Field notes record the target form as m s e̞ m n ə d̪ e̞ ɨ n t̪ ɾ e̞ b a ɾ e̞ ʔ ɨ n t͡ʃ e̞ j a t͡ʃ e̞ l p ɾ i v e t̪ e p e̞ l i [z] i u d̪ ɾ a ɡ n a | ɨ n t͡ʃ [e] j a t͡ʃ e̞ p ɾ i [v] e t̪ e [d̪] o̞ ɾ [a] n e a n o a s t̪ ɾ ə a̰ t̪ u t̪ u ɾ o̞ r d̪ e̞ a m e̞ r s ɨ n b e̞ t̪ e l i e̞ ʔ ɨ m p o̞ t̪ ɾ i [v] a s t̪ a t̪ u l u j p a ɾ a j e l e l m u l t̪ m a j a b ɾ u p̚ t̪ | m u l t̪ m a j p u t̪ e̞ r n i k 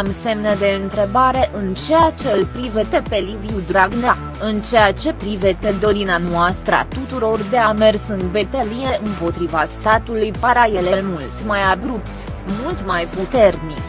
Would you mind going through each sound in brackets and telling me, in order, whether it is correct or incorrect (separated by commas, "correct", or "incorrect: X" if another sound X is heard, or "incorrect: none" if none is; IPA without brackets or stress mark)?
incorrect: v, correct, correct, correct, incorrect: i, correct